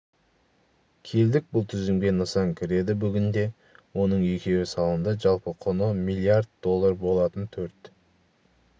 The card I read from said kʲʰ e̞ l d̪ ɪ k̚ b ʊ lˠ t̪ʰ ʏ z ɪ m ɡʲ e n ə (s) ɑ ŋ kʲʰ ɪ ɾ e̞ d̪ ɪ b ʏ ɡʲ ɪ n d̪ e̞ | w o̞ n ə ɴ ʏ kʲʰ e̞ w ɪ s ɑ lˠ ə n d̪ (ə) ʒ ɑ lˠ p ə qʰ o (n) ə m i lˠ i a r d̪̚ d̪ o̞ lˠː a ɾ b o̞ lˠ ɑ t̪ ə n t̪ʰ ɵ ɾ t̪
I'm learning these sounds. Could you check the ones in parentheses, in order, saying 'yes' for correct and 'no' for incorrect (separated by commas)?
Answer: yes, yes, yes